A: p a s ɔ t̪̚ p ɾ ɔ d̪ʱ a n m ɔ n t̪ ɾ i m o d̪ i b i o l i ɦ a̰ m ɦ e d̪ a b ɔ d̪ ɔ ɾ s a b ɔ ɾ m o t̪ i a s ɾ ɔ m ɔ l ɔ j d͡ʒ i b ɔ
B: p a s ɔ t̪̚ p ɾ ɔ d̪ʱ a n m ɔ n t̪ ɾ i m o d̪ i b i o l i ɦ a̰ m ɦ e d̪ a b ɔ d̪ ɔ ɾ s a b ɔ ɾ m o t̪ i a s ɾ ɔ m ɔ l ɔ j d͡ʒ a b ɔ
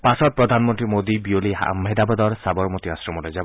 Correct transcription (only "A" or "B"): B